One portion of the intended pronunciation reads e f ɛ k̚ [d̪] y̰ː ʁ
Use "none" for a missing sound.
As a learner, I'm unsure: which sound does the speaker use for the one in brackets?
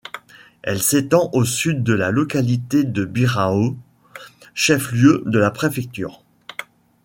t̪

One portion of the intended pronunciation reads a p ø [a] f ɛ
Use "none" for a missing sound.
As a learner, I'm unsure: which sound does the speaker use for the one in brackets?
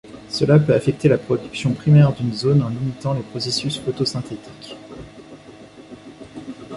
a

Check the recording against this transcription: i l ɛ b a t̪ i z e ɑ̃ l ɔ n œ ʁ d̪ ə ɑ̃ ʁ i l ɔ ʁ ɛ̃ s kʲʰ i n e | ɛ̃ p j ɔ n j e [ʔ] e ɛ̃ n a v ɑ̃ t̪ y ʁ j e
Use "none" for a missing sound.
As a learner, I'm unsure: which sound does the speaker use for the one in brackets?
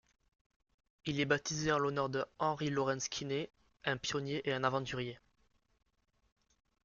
ʔ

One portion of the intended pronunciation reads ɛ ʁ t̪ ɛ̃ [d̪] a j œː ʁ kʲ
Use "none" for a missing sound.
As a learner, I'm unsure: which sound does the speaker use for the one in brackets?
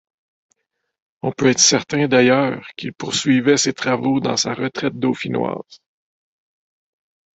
d̪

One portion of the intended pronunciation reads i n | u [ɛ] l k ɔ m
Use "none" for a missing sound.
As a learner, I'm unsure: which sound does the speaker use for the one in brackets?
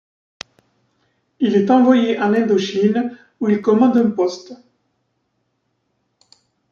i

